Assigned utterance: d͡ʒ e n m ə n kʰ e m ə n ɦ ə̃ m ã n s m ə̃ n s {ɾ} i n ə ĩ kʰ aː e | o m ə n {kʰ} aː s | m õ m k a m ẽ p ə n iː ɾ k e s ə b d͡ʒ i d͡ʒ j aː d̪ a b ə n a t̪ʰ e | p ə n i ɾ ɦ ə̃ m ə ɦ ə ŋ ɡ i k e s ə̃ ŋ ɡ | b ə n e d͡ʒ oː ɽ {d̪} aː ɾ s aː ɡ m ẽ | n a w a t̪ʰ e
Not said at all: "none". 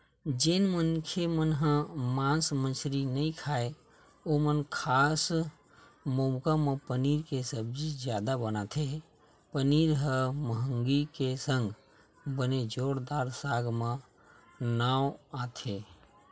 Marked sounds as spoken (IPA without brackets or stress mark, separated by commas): ɾ, kʰ, d̪